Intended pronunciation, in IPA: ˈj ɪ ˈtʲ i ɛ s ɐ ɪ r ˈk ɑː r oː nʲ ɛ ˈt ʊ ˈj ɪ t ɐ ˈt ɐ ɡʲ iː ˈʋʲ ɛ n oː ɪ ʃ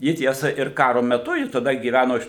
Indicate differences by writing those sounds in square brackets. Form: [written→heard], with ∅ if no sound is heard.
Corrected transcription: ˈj ɪ ˈtʲ i ɛ s ɐ ɪ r ˈk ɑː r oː [nʲ→mʲ] ɛ ˈt ʊ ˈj ɪ t ɐ [ˈt→ˈd] ɐ ɡʲ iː ˈʋʲ [ɛ→æ] n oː ɪ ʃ